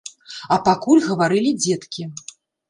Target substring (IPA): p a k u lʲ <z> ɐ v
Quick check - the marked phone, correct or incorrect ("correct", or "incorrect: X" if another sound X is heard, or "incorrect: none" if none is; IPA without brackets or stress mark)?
incorrect: ɣ